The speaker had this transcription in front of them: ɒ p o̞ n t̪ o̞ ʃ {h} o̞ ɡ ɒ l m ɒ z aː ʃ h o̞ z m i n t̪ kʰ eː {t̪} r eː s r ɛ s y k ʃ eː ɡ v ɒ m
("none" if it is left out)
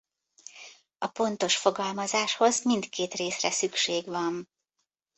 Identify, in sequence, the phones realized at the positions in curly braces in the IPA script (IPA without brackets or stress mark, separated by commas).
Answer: f, t̪